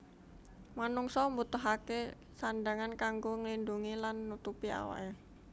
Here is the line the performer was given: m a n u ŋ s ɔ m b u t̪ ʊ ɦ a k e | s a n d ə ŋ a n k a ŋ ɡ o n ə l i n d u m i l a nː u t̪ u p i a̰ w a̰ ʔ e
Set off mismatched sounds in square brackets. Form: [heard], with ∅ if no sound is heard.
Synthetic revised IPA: m a n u ŋ s ɔ m b u t̪ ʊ ɦ a k e | s a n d [a] ŋ a n k a ŋ ɡ o [ŋ] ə l i n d u [ŋ] i l a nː u t̪ u p i a̰ w a̰ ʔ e

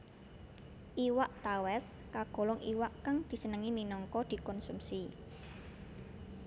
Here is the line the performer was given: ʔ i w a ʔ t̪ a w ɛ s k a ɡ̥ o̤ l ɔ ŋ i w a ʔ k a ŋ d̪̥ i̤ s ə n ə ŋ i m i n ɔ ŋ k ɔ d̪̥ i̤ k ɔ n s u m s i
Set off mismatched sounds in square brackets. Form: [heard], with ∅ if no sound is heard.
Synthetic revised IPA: ʔ i w a ʔ t̪ a w ɛ s k a ɡ̥ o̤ l ɔ ŋ i w a ʔ k a ŋ d̪̥ i̤ s ə n ə ŋ i m i n ɔ ŋ k ɔ d̪̥ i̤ k ɔ n s u m s i

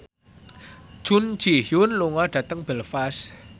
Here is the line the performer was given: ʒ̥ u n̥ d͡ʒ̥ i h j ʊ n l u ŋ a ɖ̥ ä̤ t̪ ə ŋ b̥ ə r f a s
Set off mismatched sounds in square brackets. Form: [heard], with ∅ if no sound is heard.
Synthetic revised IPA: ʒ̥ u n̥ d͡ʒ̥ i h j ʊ n l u ŋ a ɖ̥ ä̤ t̪ ə ŋ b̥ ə [l] f a s

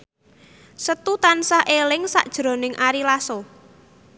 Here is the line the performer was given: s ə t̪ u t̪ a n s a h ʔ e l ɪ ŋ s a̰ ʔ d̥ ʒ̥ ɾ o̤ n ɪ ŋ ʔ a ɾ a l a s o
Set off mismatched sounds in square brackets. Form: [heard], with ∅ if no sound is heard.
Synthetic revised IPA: s ə t̪ u t̪ a n s a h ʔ e l ɪ ŋ s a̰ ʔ d̥ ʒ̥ ɾ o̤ n ɪ ŋ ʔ a ɾ [i] l a s o

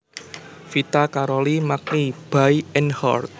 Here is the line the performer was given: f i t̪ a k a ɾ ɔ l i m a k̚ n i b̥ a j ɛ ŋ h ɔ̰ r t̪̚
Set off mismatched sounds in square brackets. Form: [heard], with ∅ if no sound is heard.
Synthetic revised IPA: f i t̪ a k a ɾ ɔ l i m a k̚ n i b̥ a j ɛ [n] h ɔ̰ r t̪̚

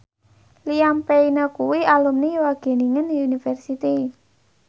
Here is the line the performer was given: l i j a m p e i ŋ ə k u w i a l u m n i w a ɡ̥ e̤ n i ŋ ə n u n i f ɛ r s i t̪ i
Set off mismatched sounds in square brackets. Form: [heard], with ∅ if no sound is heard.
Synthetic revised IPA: l i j a m p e i [n] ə k u w i a l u m n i w a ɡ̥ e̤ n i ŋ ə n u n i f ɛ r s i t̪ i

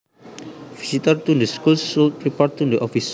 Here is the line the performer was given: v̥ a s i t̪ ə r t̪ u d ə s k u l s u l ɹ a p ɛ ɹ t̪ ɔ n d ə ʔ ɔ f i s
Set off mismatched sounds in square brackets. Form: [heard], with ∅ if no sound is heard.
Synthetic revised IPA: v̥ [i] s i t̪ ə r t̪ u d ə s k u l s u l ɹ [i] p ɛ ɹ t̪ [u] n d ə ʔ ɔ f i s

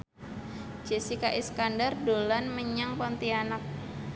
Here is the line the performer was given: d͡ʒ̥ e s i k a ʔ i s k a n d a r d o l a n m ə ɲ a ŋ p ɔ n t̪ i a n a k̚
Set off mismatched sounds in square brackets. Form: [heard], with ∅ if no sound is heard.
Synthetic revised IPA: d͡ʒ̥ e s i k a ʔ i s k a n d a r d o l a n m ə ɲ a ŋ p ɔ n t̪ i a n a k̚

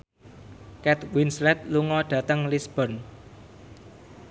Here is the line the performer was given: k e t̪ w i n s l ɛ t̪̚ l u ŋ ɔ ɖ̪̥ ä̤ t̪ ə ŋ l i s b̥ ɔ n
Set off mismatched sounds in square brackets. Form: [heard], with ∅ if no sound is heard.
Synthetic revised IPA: k [ɛ] t̪ w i n s l ɛ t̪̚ l u ŋ ɔ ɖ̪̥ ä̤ t̪ ə ŋ l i s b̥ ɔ n

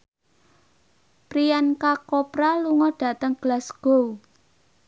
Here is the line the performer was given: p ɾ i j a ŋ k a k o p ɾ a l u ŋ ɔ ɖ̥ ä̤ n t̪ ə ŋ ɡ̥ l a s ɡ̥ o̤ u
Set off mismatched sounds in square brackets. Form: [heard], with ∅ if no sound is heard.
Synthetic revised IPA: p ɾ i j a [n] k a k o p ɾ a l u ŋ ɔ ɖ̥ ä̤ [∅] t̪ ə ŋ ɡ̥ l a s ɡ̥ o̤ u

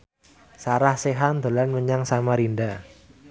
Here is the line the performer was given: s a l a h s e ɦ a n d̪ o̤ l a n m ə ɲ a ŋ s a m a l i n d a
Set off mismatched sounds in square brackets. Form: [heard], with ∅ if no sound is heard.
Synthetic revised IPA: s a [ɾ] a h s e ɦ a n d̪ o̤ l a n m ə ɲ a ŋ s a m a [ɾ] i n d a

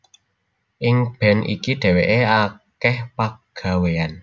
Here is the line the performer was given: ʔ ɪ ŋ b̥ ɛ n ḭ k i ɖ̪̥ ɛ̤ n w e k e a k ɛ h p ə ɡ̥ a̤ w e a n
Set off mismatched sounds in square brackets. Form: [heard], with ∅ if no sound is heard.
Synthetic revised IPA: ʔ ɪ ŋ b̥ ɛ n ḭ k i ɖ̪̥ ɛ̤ [∅] w e [ʔ] e a k ɛ h p [a] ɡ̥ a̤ w e a n

